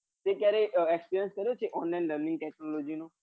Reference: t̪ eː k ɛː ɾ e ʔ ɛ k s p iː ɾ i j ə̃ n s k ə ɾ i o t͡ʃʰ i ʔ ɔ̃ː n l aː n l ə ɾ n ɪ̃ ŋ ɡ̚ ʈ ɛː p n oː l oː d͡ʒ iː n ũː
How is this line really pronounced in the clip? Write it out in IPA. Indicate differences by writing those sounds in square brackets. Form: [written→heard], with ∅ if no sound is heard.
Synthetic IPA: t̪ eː k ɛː ɾ e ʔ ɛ k s p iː ɾ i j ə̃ n s k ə ɾ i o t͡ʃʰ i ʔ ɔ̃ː n l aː n l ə ɾ n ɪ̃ ŋ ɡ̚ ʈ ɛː [p→k] n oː l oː d͡ʒ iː n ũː

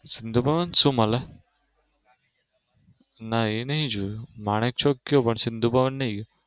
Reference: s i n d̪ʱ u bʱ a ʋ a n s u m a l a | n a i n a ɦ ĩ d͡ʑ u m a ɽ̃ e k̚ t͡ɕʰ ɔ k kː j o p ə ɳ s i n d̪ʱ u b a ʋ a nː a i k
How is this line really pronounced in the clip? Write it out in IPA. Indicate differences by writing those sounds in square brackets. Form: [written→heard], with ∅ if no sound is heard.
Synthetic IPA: s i n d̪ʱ u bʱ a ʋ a n s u m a l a | n a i n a ɦ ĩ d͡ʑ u m a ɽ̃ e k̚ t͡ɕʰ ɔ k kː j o p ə ɳ s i n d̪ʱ u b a ʋ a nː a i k

